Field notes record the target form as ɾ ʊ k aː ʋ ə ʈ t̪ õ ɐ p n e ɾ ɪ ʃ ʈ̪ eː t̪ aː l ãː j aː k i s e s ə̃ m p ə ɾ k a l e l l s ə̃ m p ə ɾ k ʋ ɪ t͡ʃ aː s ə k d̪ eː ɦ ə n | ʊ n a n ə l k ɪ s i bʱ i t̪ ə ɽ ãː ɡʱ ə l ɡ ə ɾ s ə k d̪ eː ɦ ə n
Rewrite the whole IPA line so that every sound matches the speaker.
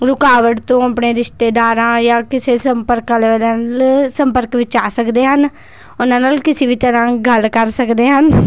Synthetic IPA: ɾ ʊ k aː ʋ ə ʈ t̪ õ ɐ p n e ɾ ɪ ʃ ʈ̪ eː d̪ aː ɾ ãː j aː k ɪ s e s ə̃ m p ə ɾ k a l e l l s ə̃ m p ə ɾ k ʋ ɪ t͡ʃ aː s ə k d̪ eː ɦ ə n | ʊ n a n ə l k ɪ s i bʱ i t̪ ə ɾ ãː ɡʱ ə l k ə ɾ s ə k d̪ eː ɦ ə n